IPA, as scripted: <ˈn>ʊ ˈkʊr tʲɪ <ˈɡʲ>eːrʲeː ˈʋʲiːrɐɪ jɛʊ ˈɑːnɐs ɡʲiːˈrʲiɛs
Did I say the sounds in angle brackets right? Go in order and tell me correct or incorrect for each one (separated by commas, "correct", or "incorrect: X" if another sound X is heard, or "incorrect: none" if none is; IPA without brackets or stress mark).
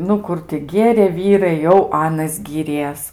correct, correct